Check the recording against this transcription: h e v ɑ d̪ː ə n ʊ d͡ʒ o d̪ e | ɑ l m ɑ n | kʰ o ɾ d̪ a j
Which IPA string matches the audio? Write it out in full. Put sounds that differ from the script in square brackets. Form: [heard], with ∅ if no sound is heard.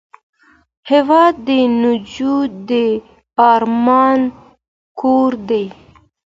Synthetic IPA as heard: h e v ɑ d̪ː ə n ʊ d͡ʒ [u] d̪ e | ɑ [ɾ] m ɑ n | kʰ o ɾ d̪ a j